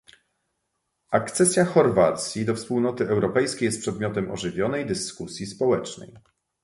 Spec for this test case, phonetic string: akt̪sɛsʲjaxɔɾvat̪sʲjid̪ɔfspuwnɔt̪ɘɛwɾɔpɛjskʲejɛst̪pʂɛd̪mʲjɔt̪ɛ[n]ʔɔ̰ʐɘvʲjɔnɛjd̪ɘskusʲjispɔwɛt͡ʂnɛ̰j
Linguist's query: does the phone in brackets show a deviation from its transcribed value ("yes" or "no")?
yes